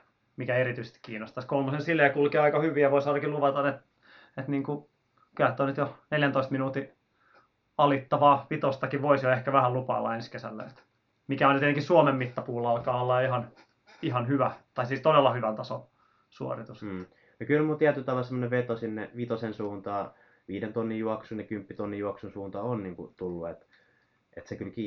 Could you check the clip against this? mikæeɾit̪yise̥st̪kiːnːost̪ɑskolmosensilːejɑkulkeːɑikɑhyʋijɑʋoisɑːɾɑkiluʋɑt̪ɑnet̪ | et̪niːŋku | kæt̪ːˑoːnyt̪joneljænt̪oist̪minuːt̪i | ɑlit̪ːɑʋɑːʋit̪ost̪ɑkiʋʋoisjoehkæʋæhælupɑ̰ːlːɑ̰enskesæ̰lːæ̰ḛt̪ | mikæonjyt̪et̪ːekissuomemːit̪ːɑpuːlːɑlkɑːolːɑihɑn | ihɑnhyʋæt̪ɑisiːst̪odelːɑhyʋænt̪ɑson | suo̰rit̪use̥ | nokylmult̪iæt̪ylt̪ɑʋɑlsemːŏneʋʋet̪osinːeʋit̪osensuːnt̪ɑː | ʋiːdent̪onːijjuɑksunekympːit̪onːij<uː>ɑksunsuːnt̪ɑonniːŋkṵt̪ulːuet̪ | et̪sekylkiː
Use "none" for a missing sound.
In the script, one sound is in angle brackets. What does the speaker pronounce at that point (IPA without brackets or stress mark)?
u